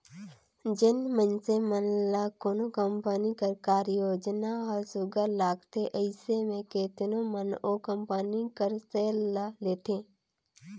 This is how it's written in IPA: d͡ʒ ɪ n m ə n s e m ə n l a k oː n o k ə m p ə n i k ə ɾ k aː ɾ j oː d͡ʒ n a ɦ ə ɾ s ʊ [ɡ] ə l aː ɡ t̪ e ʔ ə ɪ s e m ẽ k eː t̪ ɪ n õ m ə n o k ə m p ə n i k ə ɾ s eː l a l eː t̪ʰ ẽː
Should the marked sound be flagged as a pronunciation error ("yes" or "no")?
no